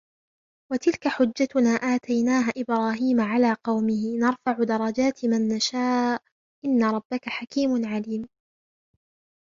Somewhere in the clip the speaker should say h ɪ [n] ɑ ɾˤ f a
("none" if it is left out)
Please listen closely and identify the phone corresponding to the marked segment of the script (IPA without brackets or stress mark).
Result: n